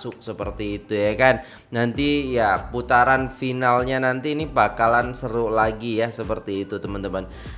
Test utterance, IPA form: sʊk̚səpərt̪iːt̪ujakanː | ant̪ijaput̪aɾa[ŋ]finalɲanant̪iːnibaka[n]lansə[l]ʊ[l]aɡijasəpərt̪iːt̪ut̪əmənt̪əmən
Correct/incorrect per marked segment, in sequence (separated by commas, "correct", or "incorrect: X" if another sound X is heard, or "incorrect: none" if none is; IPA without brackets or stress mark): incorrect: n, incorrect: none, incorrect: ɾ, correct